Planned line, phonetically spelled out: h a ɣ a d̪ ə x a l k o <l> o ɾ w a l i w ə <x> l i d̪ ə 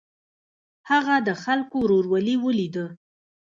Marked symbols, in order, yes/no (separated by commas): no, no